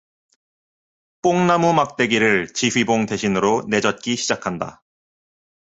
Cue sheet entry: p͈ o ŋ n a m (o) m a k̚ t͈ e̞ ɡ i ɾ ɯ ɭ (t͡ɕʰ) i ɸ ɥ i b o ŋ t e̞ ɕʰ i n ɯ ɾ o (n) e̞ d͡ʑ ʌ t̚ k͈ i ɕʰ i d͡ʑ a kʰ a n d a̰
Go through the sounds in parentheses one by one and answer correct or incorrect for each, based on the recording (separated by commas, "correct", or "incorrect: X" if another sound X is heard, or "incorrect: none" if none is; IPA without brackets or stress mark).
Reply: incorrect: u, incorrect: t͡ɕ, correct